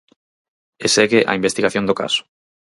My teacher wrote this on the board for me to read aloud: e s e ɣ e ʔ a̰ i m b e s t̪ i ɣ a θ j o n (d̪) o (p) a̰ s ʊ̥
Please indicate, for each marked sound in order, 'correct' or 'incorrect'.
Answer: correct, incorrect: k

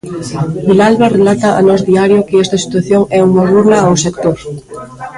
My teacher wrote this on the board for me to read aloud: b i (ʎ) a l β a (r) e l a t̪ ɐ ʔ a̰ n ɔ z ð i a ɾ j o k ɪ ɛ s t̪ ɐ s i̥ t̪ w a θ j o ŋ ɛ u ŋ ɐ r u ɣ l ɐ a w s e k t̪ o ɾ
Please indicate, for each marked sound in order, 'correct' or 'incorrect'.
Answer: incorrect: l, correct

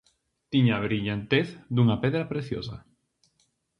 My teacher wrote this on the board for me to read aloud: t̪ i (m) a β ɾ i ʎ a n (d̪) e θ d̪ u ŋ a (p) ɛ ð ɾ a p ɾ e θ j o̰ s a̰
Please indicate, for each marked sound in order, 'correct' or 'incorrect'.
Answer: incorrect: ɲ, incorrect: t̪, correct

